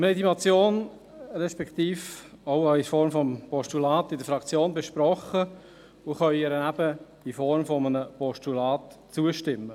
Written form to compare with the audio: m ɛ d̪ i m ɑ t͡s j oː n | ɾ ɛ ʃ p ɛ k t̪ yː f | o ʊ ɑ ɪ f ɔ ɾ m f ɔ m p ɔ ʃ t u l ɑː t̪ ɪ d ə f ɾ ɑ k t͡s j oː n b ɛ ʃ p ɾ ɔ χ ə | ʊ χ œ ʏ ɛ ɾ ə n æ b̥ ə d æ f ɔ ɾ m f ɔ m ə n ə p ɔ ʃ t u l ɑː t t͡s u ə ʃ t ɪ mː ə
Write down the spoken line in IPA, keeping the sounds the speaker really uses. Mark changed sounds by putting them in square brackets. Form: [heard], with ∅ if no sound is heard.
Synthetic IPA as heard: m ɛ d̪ i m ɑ t͡s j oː n | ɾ ɛ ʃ p ɛ k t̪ [iː] f | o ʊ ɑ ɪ f ɔ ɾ m f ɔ m p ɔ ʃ t u l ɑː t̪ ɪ d ə f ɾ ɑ k t͡s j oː n b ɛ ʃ p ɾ ɔ χ ə | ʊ χ œ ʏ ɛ ɾ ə n æ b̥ ə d [i] f ɔ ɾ m f ɔ m ə n ə p ɔ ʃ t u l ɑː t t͡s u ə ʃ t ɪ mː ə